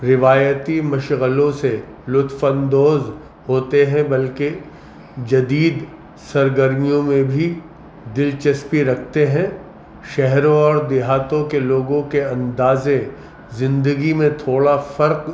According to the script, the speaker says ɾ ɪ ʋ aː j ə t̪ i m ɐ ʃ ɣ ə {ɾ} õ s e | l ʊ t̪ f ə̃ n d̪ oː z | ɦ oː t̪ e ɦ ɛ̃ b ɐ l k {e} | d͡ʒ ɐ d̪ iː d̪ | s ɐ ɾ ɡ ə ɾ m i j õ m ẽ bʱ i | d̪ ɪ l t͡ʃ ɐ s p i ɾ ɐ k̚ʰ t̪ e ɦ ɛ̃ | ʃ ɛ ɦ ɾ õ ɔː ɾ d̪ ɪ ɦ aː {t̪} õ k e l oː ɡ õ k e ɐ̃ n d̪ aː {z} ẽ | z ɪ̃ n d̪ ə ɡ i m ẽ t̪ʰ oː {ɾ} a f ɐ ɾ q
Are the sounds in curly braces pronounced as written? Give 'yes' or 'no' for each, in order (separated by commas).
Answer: no, yes, yes, yes, no